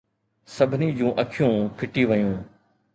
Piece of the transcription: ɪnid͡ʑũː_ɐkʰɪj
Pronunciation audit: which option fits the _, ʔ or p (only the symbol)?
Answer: ʔ